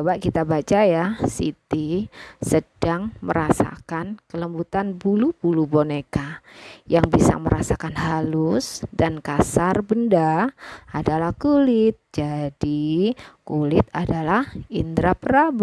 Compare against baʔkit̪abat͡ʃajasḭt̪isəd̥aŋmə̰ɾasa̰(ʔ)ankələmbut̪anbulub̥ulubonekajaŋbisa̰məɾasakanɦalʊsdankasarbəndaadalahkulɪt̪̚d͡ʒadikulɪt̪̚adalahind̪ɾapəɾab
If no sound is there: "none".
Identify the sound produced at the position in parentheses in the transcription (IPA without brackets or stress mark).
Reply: k